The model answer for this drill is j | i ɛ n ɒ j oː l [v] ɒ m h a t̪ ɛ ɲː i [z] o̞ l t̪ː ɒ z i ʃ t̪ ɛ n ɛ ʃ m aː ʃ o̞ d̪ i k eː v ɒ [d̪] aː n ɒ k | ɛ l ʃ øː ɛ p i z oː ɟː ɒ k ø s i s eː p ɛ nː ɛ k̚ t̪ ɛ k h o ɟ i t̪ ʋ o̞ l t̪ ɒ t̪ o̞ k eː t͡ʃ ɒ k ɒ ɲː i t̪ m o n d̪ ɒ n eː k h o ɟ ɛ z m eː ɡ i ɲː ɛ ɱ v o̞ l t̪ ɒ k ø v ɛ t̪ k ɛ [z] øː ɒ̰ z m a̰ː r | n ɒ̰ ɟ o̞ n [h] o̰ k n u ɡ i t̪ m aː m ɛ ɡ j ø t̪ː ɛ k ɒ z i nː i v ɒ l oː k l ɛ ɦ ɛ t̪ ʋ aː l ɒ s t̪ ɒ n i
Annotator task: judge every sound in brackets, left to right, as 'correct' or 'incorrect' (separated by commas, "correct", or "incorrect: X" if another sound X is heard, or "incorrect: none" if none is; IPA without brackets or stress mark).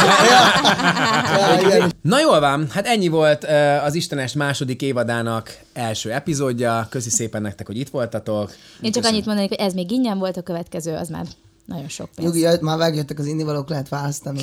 correct, incorrect: v, correct, correct, incorrect: ʃ